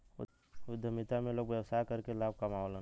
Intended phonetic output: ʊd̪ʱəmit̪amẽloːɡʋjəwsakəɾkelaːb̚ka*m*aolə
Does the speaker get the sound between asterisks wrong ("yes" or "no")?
no